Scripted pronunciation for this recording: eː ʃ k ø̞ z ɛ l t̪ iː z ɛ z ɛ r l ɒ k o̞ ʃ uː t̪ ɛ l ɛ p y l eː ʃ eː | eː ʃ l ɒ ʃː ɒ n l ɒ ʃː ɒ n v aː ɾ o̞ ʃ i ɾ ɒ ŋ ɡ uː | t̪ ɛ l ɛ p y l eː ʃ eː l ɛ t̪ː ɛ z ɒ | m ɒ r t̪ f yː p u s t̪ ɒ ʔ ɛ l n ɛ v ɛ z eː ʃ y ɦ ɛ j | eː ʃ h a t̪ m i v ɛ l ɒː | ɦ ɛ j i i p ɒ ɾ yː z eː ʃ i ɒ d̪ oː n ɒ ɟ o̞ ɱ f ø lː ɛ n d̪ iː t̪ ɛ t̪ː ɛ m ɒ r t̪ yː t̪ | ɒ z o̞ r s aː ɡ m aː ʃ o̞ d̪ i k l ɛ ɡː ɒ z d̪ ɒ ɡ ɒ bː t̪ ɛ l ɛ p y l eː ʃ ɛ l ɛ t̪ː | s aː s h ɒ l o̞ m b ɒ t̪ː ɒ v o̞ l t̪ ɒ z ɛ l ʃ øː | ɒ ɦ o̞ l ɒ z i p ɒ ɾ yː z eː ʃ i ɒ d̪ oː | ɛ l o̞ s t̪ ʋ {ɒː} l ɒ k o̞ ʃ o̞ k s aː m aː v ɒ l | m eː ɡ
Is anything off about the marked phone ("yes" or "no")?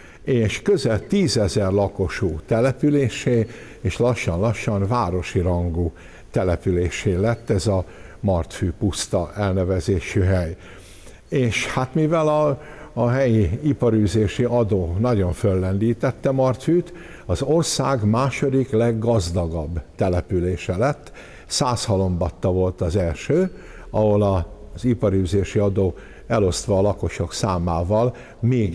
no